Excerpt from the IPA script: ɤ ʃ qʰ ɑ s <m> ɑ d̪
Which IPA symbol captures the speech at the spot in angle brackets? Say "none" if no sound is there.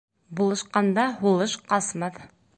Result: m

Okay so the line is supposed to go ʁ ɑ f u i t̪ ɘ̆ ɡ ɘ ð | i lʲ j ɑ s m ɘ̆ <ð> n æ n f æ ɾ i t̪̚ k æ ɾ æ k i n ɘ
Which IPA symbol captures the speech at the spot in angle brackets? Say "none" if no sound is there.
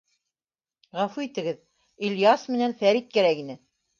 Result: none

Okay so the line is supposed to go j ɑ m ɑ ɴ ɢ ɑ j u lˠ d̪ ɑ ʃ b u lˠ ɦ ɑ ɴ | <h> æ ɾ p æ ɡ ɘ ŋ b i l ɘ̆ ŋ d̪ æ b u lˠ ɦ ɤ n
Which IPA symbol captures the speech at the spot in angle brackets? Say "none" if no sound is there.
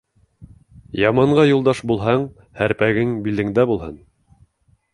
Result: h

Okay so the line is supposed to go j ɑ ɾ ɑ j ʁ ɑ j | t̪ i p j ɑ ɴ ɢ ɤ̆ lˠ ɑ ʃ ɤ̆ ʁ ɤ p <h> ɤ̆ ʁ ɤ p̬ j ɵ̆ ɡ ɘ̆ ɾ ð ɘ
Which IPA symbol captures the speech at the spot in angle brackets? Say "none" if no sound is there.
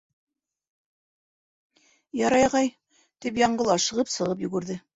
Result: s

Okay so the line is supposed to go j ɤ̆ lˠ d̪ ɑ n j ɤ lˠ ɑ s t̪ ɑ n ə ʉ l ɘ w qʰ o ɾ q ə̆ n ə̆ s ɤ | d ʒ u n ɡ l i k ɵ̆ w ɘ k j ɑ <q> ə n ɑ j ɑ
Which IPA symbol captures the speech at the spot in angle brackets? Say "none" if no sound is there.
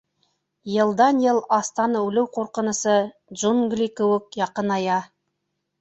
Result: q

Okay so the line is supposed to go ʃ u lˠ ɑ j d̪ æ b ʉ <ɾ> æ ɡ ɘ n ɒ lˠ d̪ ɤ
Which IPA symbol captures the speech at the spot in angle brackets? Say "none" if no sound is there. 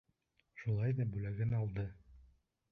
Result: l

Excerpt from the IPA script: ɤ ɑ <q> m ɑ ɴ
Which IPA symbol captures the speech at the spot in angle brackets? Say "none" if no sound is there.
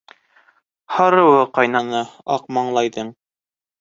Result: q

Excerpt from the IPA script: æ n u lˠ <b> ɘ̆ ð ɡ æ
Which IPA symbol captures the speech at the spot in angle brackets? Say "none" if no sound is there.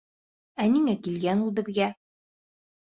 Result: b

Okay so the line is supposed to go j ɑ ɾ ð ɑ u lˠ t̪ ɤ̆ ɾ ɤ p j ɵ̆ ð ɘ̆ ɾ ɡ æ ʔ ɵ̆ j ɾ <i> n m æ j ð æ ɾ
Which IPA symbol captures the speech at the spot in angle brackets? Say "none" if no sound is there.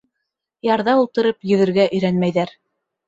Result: æ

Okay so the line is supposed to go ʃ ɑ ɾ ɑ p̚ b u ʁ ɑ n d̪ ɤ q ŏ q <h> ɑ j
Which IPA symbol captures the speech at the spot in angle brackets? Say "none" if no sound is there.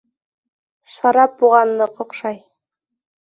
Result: ʃ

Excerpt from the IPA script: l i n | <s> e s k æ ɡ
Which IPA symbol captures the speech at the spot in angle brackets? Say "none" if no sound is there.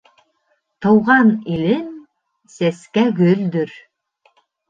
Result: s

